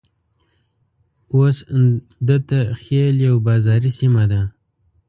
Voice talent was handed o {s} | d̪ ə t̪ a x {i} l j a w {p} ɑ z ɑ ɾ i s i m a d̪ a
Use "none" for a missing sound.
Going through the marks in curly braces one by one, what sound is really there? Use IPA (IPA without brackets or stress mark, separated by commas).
s, e, b